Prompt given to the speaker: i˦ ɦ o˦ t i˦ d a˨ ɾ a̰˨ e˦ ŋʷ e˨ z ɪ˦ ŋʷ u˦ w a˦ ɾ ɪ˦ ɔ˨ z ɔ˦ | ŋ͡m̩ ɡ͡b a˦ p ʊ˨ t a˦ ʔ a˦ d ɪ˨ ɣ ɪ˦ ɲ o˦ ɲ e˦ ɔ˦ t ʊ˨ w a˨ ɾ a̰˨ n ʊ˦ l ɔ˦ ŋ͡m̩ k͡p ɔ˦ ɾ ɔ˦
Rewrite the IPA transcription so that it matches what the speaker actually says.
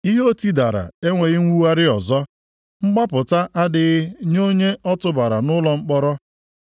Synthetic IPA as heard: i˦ ɦ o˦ t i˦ d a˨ ɾ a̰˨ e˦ ŋʷ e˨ ɣ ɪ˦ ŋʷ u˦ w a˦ ɾ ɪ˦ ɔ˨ z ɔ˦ | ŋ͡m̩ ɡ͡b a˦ p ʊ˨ t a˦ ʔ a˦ d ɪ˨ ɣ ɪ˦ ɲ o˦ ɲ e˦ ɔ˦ t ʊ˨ b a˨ ɾ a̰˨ n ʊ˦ l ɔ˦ ŋ͡m̩ k͡p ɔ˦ ɾ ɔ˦

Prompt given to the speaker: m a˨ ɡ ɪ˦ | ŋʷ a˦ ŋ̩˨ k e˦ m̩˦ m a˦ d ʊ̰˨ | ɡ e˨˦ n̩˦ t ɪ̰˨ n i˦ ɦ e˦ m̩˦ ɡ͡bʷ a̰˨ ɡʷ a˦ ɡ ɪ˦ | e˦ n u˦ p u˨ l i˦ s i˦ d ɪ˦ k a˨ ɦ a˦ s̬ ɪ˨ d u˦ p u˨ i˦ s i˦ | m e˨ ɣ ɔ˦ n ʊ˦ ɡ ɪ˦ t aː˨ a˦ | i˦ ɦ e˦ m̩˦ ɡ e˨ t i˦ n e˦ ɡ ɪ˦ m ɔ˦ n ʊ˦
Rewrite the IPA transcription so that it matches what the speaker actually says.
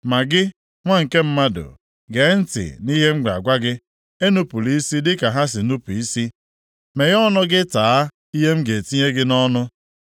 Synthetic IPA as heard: m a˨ ɡ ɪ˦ | ŋʷ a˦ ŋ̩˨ k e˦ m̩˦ m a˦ d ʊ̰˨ | ɡ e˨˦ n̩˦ t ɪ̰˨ n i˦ ɦ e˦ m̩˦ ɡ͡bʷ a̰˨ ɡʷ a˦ ɡ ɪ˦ | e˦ n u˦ p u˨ l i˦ s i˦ d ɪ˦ k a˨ ɦ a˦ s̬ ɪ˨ n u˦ p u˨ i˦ s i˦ | m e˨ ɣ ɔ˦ n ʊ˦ ɡ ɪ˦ t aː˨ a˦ | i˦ ɦ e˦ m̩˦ ɡ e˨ t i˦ ɲ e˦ ɡ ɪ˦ n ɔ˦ n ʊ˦

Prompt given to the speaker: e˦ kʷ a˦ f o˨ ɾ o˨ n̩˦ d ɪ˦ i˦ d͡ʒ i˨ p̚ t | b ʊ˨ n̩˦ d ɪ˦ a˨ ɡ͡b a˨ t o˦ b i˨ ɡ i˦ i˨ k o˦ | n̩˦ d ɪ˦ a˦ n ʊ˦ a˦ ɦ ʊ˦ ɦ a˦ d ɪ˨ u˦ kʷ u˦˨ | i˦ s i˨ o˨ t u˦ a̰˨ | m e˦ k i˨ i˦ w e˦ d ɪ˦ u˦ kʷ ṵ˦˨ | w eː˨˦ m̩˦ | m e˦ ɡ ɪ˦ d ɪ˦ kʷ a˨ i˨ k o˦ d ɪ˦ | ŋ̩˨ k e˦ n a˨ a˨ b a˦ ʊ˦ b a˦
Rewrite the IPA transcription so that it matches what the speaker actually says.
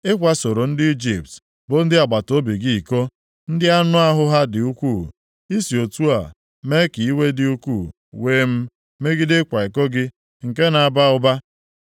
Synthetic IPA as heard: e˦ kʷ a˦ s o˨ ɾ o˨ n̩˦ d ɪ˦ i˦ d͡ʒ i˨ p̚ t | b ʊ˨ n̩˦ d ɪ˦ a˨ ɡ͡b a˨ t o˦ b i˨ ɡ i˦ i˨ k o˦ | n̩˦ d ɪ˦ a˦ n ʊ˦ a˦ ɦ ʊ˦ ɦ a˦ d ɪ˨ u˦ kʷ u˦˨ | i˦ s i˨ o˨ t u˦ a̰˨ | m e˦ k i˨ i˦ w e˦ d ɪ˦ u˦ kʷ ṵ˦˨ | w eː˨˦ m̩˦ | m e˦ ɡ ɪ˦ d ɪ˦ kʷ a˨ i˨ k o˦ ɡ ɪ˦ | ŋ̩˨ k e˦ n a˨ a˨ b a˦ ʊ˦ b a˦

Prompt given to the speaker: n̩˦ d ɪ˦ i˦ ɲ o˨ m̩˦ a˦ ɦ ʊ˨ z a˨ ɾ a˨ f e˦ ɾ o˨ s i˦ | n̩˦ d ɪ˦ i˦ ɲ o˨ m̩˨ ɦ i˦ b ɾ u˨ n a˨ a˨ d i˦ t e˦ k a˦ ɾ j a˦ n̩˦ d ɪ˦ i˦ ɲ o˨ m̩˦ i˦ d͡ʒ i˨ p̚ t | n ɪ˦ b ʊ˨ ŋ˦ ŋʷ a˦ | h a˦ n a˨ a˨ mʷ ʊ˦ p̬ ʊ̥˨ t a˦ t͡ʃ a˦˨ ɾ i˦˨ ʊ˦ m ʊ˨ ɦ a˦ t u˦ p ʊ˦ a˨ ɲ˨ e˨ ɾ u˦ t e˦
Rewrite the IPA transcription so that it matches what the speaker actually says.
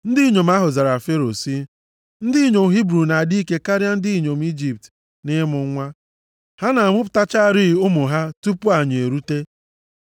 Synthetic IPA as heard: n̩˦ d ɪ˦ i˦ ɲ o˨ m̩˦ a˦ ɦ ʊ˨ z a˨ ɾ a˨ f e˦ ɾ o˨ s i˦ | n̩˦ d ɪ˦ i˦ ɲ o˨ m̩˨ ɦ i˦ b ɾ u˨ n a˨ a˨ d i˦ k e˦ k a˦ ɾ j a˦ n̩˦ d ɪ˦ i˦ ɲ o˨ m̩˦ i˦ d͡ʒ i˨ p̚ t | n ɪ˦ m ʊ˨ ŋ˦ ŋʷ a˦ | h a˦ n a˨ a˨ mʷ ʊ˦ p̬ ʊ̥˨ t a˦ t͡ʃ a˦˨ ɾ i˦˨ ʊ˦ m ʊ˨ ɦ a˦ t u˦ p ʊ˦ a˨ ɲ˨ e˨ ɾ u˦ t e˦

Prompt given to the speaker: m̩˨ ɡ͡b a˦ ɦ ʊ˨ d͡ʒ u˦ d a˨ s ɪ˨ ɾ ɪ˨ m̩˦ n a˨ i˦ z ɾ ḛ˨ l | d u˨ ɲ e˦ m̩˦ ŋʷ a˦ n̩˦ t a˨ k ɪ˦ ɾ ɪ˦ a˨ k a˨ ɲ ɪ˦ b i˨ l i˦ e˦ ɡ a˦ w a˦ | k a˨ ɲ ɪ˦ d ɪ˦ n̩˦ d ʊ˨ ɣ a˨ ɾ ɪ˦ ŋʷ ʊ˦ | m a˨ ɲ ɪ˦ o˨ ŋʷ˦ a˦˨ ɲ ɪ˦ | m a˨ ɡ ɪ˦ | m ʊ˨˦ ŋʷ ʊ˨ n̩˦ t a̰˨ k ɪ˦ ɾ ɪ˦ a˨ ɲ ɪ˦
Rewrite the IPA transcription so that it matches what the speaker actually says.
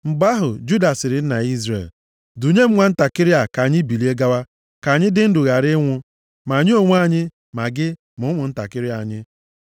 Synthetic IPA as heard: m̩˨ ɡ͡b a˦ ɦ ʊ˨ d͡ʒ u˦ d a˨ s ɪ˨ ɾ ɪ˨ n̩˦ n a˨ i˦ z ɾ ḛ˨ l | d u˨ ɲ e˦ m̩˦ ŋʷ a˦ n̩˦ t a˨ k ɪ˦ ɾ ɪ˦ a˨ k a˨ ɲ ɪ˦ b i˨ l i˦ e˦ ɡ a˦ w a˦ | k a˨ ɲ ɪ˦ d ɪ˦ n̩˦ d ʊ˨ ɣ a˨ ɾ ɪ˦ ŋʷ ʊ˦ | m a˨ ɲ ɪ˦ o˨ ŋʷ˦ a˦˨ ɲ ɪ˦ | m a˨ ɡ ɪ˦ | m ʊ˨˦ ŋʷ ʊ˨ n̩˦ t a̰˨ k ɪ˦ ɾ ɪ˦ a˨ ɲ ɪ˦

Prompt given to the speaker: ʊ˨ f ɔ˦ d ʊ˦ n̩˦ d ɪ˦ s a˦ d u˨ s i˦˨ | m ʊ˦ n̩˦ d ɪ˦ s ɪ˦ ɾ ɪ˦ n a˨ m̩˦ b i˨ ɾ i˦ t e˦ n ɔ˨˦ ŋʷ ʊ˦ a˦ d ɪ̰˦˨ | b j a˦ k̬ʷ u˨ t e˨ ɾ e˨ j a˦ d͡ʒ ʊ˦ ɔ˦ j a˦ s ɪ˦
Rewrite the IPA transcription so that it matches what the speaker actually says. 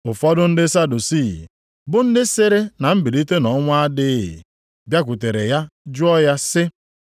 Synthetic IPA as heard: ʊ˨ f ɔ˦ d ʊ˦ n̩˦ d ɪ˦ s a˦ d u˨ s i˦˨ | b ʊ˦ n̩˦ d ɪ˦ s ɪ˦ ɾ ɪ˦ n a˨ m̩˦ b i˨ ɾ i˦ t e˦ n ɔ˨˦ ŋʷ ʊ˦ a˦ d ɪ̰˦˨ | b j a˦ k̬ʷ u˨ t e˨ ɾ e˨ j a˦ d͡ʒ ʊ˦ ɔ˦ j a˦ s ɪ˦

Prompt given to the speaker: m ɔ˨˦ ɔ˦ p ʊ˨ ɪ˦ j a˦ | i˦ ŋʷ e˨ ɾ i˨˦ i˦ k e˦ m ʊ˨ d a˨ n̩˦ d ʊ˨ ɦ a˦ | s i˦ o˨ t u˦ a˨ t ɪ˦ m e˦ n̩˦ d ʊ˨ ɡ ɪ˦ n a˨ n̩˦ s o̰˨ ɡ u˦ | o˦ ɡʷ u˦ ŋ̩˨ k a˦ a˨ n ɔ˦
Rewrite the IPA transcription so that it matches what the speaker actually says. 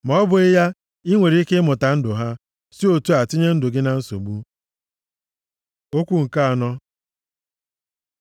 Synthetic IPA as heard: m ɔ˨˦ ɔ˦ b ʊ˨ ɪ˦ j a˦ | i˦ ŋʷ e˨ ɾ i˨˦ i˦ k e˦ m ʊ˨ t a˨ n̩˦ d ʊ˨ ɦ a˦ | s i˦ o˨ t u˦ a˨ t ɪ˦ ɲ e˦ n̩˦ d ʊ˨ ɡ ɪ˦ n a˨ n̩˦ s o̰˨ ɡ͡b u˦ | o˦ kʷ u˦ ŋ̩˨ k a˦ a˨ n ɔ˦

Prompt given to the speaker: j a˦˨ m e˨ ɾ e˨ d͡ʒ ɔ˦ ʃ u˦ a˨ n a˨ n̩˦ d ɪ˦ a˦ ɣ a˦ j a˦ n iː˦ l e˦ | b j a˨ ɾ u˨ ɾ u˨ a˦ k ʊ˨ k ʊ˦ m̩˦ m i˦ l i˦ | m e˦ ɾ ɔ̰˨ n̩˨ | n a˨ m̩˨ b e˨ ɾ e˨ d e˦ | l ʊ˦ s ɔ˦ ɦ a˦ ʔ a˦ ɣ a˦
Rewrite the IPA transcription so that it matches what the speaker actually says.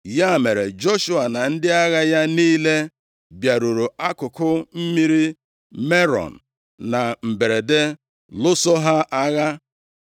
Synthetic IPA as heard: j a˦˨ m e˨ ɾ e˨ d͡ʒ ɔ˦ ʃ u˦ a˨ n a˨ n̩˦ d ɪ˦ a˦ ɣ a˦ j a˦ n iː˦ l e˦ | b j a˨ ɾ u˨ ɾ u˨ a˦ k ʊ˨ k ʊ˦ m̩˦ m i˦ ɾ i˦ | m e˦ ɾ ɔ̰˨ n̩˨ | n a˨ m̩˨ b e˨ ɾ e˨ d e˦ | l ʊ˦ s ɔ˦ ɦ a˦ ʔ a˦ ɣ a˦

